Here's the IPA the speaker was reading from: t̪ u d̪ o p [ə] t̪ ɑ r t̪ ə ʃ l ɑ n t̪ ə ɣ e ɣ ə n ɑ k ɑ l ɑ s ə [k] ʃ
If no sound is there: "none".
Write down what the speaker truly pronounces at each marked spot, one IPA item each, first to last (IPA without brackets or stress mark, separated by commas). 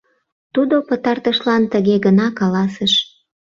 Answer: ə, none